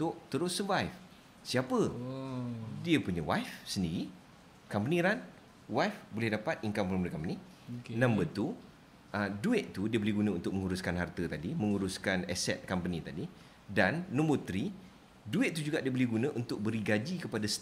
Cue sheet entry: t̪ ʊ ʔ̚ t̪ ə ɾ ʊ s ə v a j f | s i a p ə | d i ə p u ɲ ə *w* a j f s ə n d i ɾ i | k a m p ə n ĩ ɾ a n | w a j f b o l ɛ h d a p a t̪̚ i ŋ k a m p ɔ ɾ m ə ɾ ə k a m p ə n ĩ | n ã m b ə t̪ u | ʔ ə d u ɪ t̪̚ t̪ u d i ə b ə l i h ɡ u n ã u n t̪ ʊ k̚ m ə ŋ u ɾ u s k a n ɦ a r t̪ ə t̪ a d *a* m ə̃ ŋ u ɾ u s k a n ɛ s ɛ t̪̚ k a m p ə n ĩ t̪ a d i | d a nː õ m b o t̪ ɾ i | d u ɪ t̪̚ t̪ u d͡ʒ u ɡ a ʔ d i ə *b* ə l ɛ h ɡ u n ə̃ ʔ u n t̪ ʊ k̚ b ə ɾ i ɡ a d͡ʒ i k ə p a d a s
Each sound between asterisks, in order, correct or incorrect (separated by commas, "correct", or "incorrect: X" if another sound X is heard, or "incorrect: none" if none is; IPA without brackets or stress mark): correct, incorrect: i, correct